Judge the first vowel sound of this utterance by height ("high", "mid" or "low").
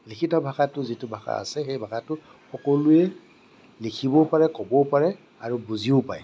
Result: high